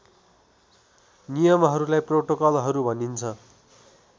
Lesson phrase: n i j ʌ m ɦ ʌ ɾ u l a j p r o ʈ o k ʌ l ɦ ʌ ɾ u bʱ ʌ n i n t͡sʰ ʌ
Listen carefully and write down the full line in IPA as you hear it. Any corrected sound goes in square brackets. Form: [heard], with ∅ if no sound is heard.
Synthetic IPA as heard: n i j ʌ m ɦ ʌ ɾ u l a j p r o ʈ o k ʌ l ɦ ʌ ɾ u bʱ ʌ n i n t͡sʰ ʌ